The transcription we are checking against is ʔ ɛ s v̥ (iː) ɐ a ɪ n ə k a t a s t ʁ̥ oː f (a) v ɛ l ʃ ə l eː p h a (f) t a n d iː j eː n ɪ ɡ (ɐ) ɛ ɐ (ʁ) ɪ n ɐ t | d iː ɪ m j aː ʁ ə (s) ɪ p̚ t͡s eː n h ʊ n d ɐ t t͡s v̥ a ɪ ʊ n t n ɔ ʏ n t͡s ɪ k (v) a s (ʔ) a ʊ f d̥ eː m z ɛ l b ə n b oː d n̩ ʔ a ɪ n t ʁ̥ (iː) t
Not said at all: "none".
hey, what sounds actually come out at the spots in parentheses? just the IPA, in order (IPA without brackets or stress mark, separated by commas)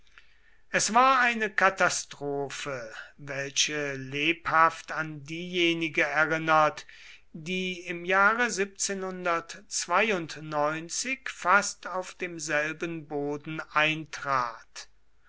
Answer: aː, ə, f, ə, ʁ, z, f, t, aː